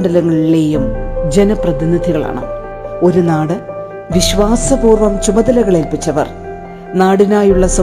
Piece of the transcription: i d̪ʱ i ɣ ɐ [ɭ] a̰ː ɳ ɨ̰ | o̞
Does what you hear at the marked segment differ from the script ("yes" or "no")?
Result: no